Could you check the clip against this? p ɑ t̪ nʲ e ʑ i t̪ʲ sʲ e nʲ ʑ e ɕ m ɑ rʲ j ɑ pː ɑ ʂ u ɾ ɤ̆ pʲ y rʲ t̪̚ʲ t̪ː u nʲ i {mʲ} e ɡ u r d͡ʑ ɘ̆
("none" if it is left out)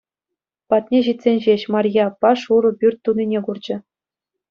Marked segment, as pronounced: nʲ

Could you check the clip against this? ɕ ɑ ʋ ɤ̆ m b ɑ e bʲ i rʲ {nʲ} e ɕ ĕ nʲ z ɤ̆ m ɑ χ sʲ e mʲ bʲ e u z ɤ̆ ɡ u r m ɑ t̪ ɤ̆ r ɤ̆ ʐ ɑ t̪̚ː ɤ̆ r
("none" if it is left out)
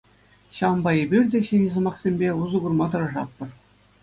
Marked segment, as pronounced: dʲ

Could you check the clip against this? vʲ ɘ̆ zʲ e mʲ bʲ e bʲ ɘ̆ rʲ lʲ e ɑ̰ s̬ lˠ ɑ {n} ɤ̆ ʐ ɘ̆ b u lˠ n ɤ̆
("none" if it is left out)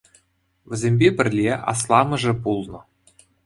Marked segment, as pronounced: m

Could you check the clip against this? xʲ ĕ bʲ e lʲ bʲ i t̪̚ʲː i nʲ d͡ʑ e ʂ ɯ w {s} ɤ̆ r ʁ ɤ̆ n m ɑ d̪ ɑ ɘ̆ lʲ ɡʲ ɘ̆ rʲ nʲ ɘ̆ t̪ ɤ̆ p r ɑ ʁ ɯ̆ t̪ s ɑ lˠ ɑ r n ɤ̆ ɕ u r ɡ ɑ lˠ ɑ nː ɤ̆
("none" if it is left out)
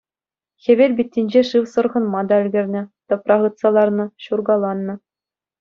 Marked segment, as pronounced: s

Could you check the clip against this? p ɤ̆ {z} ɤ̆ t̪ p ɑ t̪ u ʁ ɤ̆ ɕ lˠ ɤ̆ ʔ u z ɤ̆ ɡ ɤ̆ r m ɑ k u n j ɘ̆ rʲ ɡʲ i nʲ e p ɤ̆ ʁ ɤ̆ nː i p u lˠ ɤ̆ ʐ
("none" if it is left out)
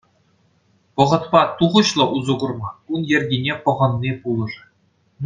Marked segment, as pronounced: ʁ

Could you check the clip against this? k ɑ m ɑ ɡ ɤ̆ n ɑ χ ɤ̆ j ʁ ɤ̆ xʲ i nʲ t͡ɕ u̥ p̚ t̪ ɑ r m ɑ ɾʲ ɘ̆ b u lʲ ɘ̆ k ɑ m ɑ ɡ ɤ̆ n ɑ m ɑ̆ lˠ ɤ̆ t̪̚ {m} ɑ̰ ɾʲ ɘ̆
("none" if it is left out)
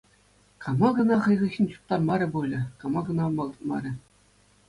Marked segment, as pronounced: m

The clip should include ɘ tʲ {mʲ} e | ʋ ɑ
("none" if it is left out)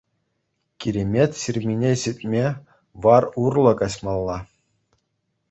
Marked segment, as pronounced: mʲ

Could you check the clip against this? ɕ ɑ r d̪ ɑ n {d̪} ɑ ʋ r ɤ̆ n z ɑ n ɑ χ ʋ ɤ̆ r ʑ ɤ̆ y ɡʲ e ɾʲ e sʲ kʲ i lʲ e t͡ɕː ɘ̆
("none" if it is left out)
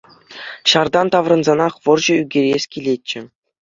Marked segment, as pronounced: t̪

